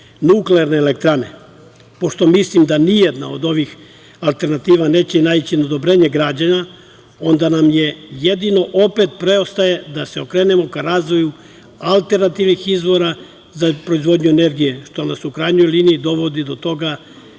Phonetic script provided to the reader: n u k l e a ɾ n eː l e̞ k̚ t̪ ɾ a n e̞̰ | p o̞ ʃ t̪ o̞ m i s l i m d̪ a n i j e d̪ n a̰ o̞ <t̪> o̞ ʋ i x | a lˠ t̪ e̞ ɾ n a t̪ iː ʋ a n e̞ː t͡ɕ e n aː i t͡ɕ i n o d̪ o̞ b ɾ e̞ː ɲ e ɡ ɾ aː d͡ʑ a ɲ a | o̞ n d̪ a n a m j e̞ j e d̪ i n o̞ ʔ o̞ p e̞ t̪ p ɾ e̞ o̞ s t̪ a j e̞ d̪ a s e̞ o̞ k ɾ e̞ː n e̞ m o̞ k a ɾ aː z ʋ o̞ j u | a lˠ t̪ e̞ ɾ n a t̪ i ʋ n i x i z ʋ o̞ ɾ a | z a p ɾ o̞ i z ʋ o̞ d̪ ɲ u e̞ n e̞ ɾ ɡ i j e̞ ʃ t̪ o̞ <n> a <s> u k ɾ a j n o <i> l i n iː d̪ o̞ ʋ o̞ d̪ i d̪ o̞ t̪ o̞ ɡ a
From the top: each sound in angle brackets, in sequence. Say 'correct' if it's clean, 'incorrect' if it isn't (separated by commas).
incorrect, correct, correct, incorrect